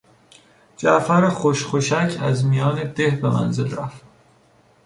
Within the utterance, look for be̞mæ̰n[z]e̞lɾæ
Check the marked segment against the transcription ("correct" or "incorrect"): correct